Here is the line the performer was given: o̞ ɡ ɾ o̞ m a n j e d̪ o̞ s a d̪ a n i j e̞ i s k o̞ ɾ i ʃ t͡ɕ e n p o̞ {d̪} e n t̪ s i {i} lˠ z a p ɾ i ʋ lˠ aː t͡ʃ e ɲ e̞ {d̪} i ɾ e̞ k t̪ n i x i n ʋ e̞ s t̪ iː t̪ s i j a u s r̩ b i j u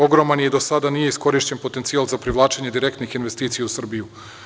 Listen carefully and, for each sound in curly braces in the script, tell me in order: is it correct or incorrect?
incorrect: t̪, incorrect: a, correct

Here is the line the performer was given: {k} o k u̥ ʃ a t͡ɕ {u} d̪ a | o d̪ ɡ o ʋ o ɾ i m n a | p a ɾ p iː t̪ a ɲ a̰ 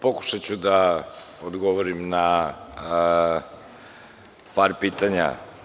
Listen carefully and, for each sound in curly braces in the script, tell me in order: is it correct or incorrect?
incorrect: p, correct

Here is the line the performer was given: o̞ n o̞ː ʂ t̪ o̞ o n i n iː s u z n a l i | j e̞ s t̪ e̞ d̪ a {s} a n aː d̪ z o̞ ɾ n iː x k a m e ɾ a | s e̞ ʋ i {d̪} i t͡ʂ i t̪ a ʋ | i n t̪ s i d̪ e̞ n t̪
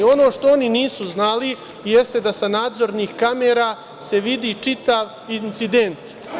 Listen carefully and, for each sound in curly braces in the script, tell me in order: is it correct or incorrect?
correct, correct

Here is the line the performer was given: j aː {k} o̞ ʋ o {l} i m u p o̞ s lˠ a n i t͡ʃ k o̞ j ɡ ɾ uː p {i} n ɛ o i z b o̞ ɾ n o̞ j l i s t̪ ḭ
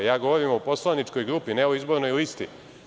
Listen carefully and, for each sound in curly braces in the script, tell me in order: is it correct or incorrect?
incorrect: ɡ, incorrect: ɾ, correct

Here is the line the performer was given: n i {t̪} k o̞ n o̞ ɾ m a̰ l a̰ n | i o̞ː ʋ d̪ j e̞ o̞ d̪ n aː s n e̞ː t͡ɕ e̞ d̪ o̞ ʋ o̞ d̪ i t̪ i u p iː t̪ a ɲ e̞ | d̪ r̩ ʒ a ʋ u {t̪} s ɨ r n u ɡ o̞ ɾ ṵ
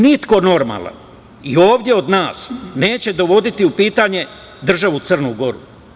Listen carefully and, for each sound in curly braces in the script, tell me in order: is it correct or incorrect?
correct, correct

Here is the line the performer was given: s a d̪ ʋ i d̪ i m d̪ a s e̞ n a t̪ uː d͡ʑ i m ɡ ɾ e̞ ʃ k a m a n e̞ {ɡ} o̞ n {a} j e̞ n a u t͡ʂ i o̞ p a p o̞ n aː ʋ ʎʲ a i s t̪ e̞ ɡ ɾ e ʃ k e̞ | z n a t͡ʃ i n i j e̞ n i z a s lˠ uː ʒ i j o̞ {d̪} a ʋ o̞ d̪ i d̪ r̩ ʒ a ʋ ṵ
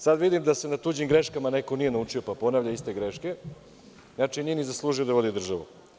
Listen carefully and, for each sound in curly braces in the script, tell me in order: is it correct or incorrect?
incorrect: k, incorrect: i, correct

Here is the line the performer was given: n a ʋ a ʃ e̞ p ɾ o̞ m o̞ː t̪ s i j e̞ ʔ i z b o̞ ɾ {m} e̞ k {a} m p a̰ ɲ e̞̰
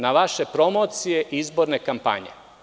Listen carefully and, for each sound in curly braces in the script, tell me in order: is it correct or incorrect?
incorrect: n, correct

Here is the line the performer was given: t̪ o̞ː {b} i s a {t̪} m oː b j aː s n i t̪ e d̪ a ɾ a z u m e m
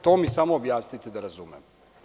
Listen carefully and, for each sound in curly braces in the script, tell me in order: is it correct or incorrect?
incorrect: m, incorrect: none

